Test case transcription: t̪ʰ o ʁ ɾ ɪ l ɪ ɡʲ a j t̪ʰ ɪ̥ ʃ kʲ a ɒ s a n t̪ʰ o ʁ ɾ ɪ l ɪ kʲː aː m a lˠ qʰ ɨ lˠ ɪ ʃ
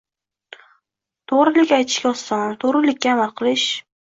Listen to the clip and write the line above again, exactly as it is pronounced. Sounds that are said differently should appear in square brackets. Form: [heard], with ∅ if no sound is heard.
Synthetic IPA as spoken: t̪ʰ o ʁ ɾ ɪ l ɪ [kʲ] a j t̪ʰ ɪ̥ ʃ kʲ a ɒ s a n t̪ʰ o ʁ ɾ ɪ l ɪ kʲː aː m a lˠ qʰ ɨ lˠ ɪ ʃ